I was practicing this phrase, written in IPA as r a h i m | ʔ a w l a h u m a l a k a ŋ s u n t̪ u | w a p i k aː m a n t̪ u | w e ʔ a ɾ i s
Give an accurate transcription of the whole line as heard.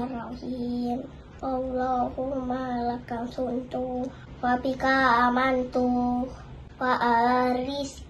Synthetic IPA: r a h i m | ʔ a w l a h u m a l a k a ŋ s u n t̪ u | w a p i k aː m a n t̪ u | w a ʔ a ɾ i s